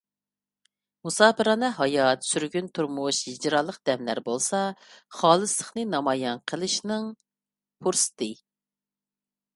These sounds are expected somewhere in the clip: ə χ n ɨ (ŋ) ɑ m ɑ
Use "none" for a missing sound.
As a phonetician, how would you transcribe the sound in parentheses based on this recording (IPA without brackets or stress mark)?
n